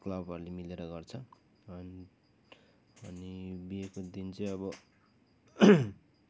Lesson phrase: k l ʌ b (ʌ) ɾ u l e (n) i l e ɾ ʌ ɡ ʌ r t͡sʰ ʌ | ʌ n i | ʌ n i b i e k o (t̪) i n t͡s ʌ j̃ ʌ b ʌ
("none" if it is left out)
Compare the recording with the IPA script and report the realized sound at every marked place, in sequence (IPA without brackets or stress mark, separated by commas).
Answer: ʌ, m, d̪